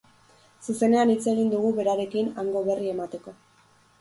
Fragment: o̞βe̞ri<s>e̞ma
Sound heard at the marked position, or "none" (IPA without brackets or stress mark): none